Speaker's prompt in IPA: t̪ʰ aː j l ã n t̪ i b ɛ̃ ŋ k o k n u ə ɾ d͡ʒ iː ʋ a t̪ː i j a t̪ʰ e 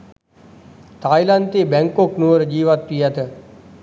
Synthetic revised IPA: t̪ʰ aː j l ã n t̪ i b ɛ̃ ŋ k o k n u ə ɾ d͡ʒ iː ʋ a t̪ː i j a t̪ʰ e